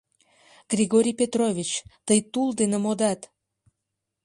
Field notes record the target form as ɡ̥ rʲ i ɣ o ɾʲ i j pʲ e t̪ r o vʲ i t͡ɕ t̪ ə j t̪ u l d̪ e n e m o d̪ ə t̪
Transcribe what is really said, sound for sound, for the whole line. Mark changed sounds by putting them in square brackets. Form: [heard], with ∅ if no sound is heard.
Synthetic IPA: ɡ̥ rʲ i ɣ o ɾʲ i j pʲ e t̪ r o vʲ i t͡ɕ t̪ ə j t̪ u l d̪ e n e m o d̪ [ɑ] t̪